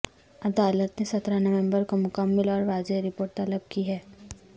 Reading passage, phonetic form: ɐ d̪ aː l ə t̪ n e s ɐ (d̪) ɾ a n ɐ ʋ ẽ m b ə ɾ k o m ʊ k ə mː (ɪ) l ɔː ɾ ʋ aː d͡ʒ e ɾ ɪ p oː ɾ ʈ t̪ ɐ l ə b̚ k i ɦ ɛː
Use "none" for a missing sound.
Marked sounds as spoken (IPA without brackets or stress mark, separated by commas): t̪, ɪ